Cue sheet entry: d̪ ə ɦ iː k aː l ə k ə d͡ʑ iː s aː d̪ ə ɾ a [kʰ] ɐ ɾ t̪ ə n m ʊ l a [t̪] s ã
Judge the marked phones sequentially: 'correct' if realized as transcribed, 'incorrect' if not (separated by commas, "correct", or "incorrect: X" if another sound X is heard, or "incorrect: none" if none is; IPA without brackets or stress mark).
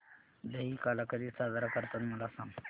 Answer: incorrect: k, incorrect: none